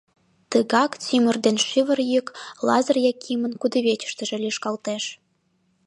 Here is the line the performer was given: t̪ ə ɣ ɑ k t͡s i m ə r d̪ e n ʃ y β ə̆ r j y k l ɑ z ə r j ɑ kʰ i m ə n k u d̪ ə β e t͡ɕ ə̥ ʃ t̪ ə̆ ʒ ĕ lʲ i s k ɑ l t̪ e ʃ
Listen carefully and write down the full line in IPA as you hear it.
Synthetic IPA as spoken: t̪ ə ɣ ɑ k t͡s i m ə r d̪ e n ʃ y β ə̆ r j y k l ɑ z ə r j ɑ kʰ i m ə n k u d̪ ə β e t͡ɕ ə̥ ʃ t̪ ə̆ ʒ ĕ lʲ i ʃ k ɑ l t̪ e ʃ